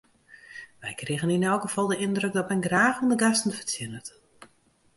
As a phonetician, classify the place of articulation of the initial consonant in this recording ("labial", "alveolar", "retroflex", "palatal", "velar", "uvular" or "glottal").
labial